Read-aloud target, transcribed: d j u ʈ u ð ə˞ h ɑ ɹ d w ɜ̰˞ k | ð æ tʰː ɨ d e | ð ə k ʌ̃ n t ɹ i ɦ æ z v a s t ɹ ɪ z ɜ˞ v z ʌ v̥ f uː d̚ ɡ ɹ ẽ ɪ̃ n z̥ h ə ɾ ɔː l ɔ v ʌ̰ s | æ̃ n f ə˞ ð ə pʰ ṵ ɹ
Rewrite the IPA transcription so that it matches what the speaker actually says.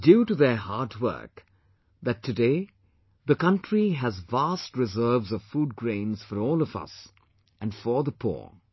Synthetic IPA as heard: d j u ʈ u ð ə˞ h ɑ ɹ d w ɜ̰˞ k | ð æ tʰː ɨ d e | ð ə k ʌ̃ n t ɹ i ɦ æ z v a s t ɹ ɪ z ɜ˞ v z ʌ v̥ f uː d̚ ɡ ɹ ẽ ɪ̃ n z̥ f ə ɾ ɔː l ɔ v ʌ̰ s | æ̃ n f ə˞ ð ə pʰ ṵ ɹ